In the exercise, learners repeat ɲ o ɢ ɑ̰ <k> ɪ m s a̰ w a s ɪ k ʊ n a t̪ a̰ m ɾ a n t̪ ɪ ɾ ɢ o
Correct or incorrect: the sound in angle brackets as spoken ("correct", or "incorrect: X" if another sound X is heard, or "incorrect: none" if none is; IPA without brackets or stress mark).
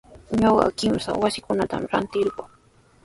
correct